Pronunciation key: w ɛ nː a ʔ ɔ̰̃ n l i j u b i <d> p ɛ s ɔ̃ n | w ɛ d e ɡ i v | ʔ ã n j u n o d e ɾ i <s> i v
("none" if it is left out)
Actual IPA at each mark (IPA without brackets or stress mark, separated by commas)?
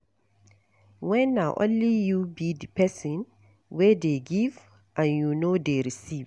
d, s